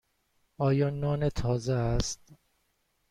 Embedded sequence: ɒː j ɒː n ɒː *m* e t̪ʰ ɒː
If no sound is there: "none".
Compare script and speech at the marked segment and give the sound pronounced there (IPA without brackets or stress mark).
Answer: n